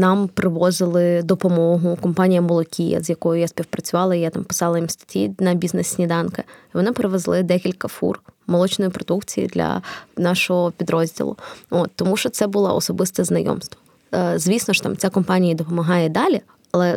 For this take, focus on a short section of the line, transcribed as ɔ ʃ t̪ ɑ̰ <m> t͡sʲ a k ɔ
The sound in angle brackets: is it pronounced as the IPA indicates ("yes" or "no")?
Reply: yes